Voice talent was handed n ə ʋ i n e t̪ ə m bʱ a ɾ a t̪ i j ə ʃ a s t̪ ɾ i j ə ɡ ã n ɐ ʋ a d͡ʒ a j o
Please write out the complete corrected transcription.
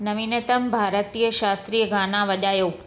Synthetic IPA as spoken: n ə ʋ i n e t̪ ə m bʱ a ɾ ə t̪ i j ə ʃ a s t̪ ɾ i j ə ɡ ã n a ʋ ə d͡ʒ a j o